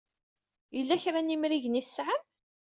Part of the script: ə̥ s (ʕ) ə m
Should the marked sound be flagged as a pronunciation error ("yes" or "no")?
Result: no